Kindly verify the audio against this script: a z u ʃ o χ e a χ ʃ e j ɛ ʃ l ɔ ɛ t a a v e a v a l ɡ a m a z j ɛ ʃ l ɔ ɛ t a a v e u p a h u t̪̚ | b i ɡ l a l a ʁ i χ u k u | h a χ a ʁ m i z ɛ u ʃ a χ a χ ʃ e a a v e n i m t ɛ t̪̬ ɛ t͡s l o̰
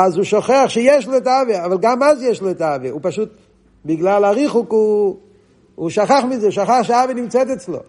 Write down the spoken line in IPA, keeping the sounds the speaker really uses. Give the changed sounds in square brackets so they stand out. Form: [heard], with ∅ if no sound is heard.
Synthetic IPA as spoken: a z u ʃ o χ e a χ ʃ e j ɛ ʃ l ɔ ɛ t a a v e a v a l ɡ a m a z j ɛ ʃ l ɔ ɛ t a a v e u p a [ʃ] u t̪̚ | b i ɡ l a l a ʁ i χ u k u | [ʃ] a χ a [χ] m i z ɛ u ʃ a χ a χ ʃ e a a v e n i m [t͡s] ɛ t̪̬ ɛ t͡s l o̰